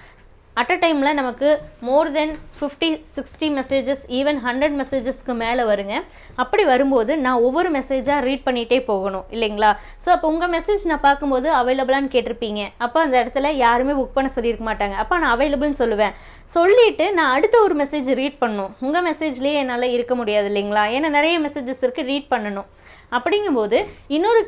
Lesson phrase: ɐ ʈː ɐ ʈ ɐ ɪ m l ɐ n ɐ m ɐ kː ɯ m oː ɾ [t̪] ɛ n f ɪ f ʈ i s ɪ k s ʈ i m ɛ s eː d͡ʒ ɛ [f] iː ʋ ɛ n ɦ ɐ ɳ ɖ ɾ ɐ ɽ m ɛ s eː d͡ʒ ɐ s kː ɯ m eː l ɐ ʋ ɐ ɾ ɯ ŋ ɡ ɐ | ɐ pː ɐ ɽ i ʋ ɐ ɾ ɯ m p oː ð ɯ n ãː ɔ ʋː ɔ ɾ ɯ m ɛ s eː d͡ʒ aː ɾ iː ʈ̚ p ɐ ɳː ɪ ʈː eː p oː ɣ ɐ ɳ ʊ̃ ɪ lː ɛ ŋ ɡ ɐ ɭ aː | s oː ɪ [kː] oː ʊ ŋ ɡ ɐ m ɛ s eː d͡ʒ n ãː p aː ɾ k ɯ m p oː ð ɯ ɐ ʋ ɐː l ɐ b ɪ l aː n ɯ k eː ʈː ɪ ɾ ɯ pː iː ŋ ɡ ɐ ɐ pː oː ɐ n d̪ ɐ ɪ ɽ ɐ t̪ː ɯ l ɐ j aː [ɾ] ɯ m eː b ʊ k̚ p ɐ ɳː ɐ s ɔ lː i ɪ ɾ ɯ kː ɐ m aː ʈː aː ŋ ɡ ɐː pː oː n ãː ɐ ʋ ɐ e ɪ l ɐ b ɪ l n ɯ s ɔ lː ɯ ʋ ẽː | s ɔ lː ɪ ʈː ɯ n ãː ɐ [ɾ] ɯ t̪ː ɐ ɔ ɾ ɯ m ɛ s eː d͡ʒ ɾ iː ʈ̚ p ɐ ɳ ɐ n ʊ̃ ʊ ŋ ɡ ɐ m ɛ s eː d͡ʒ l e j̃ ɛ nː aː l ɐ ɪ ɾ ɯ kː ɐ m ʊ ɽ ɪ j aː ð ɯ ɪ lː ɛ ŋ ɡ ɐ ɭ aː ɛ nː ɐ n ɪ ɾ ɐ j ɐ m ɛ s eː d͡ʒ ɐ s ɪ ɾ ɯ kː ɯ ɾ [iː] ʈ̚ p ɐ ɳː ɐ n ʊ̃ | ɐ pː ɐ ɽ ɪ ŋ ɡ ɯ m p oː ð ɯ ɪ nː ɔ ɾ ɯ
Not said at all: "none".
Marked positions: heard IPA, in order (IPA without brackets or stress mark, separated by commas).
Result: d̪, s, pː, ɾ, ɽ, iː